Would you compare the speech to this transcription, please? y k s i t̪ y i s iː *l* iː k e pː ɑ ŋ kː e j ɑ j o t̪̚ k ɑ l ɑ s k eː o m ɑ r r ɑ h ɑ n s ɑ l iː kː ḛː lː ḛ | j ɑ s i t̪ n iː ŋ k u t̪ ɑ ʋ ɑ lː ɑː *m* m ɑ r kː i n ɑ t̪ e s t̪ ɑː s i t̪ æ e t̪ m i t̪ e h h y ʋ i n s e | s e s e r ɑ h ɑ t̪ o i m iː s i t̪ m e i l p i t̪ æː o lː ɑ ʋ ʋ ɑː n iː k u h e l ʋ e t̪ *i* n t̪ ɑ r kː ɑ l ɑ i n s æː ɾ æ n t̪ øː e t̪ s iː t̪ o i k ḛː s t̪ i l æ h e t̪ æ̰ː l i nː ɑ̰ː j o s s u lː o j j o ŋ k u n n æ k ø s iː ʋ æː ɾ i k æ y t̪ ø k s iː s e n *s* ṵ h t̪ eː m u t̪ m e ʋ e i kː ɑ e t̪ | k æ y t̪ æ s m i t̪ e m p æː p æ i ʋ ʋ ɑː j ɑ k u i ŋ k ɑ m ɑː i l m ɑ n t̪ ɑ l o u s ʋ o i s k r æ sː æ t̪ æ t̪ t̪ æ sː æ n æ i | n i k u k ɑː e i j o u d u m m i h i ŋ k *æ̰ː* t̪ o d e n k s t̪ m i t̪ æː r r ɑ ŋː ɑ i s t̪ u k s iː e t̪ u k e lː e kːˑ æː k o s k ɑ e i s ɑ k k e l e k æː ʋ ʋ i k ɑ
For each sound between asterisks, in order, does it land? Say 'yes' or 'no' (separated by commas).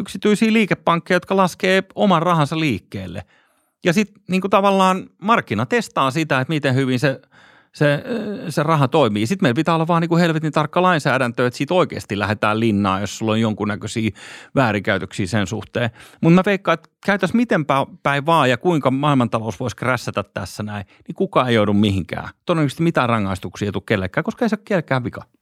yes, no, yes, yes, yes